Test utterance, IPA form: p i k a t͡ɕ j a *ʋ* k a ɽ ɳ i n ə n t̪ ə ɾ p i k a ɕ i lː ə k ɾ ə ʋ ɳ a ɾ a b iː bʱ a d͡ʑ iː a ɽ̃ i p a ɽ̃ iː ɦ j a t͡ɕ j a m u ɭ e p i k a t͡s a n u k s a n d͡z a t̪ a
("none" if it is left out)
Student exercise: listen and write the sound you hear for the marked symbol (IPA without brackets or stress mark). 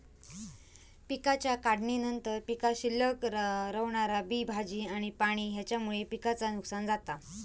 none